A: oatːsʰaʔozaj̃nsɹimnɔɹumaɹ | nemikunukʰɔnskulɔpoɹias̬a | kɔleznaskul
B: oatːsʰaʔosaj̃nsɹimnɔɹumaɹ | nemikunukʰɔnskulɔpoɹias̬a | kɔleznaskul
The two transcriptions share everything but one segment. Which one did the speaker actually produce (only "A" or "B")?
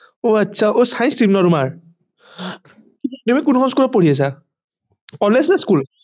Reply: B